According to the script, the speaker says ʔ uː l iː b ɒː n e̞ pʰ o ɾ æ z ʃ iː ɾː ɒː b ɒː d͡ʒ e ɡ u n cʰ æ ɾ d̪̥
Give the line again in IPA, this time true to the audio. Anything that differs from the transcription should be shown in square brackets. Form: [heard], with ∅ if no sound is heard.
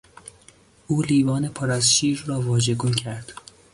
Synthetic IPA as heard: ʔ uː l iː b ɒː n e̞ pʰ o ɾ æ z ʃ iː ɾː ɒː [v] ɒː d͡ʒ e ɡ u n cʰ æ ɾ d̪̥